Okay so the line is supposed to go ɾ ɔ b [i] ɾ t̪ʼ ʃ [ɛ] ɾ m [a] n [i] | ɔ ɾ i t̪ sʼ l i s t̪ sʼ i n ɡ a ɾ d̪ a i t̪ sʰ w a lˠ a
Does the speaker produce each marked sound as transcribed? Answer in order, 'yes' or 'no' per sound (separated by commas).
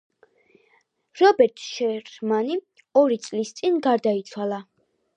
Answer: no, yes, yes, yes